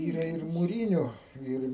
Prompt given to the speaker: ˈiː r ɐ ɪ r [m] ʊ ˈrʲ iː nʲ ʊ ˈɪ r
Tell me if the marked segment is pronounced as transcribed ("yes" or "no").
yes